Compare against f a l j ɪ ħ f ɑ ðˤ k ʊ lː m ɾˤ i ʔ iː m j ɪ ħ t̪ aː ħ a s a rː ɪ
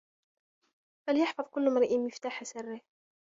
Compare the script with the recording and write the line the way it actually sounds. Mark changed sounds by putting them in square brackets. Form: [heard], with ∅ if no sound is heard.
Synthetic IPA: f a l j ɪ ħ f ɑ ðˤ k ʊ lː m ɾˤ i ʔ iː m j ɪ [f] t̪ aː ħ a s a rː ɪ

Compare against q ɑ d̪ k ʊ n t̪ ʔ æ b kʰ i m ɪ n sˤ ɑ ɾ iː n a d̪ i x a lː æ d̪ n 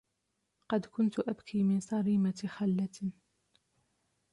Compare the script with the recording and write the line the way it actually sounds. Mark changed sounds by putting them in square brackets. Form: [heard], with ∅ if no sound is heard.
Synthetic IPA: q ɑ d̪ k ʊ n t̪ ʔ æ b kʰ i m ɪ n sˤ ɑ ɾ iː [m] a [t̪] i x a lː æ [t̪] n

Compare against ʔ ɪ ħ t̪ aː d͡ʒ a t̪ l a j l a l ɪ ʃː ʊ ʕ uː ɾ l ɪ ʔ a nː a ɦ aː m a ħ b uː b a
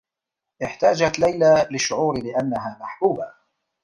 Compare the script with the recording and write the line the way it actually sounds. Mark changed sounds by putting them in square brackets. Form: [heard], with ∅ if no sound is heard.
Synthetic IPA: ʔ ɪ ħ t̪ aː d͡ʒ a t̪ l a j l a l ɪ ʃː ʊ ʕ uː ɾ l ɪ ʔ a nː a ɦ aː m a ħ b uː b a

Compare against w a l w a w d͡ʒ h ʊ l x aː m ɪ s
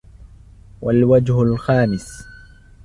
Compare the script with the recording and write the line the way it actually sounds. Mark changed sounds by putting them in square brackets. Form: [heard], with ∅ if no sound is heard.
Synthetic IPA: w a l w a [∅] d͡ʒ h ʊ l x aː m ɪ s

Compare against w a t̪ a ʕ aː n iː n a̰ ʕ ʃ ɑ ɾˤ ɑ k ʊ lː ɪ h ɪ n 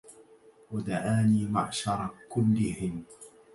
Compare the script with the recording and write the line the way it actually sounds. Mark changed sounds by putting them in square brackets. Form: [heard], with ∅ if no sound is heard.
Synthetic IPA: w a [d̪] a ʕ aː n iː [m] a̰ ʕ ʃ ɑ ɾˤ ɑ k ʊ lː ɪ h ɪ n

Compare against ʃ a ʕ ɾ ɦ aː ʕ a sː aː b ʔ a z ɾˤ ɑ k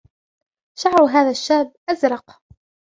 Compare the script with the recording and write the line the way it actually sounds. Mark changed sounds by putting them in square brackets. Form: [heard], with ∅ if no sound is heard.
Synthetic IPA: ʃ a ʕ ɾ ɦ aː [ð] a [ʃː] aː b ʔ a z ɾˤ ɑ [q]

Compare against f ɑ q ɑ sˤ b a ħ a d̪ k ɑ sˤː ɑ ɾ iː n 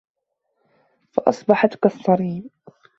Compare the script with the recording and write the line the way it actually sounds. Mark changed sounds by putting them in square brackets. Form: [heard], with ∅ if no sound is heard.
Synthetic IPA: f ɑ [ʔ] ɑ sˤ b [ɑ] ħ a [t̪] k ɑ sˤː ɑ ɾ iː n

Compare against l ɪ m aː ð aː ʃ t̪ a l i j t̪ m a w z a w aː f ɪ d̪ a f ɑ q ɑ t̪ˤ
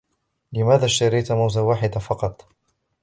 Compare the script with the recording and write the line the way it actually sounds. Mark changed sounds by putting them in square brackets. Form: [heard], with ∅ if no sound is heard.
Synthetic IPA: l ɪ m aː ð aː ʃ t̪ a [ɾ] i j t̪ m a w z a w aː [ħ] ɪ d̪ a f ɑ q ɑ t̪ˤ

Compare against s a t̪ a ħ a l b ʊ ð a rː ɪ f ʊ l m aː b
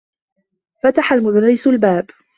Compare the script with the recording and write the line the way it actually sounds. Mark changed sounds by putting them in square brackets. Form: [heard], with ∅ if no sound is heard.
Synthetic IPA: [f] a t̪ a ħ a l [m] ʊ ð a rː ɪ [s] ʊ l [b] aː b

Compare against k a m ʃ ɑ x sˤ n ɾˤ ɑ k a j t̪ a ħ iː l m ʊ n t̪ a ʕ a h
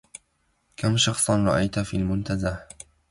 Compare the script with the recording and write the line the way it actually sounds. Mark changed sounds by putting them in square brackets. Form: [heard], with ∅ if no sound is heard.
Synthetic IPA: k a m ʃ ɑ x sˤ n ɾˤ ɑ [ʔ] a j t̪ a [f] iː l m ʊ n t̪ a [z] a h

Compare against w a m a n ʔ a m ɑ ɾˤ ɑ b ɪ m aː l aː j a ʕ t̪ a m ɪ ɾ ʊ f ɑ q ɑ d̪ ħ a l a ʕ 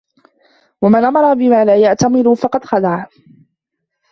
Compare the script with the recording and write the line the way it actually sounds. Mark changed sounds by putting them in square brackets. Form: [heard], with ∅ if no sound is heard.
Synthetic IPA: w a m a n ʔ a m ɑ ɾˤ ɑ b ɪ m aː l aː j a ʕ t̪ a m ɪ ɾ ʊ f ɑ q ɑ d̪ [x] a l a ʕ

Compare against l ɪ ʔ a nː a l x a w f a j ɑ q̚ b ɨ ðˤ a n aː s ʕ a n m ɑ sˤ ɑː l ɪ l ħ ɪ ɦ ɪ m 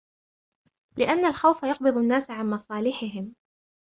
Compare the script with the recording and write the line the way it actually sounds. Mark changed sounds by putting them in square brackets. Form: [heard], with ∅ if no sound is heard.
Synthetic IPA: l ɪ ʔ a nː a l x a w f a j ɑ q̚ b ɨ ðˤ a [nː] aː s ʕ a n m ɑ sˤ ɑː l ɪ [∅] ħ ɪ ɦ ɪ m

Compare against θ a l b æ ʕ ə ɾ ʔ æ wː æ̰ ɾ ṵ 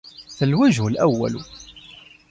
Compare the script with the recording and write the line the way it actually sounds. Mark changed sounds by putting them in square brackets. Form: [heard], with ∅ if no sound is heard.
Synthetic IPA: θ [ə] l [w] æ [ʒ] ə [l] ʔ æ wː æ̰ [l] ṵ

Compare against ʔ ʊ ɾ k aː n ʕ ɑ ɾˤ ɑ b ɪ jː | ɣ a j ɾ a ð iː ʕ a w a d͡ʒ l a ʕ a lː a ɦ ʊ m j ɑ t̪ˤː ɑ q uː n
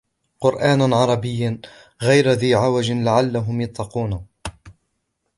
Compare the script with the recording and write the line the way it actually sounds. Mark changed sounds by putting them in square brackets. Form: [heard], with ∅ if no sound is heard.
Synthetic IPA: [q] ʊ ɾ [ʔ] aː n ʕ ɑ ɾˤ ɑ b ɪ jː | ɣ a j ɾ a ð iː ʕ a w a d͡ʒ l a ʕ a lː a ɦ ʊ m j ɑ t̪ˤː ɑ q uː n

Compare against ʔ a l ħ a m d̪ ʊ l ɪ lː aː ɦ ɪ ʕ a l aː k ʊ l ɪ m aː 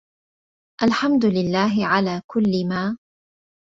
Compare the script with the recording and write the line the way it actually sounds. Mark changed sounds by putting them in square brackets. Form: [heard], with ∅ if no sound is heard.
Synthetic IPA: ʔ a l ħ a m d̪ ʊ l ɪ lː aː ɦ ɪ ʕ a l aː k ʊ [lː] ɪ m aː

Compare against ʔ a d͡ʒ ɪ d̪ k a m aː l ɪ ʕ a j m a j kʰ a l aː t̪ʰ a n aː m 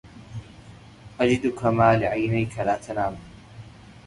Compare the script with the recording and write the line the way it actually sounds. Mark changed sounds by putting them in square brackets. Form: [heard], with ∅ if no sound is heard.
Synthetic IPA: ʔ a d͡ʒ ɪ d̪ k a m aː l ɪ ʕ a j [n] a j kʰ a l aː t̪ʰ a n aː m

